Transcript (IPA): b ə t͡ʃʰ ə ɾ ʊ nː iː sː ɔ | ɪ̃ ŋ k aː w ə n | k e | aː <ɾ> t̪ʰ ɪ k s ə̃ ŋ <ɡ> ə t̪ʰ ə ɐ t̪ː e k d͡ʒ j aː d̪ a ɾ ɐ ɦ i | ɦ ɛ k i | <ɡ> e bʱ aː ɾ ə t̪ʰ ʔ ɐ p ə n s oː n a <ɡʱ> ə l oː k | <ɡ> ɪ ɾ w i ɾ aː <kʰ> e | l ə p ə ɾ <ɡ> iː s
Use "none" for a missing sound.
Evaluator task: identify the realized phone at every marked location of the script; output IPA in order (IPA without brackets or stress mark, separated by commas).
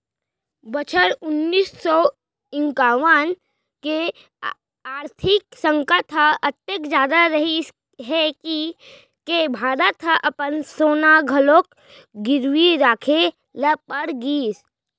ɾ, k, k, ɡʱ, ɡ, kʰ, ɡ